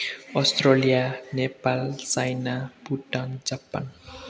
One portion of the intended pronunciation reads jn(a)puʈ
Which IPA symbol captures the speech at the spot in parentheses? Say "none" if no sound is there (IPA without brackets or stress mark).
a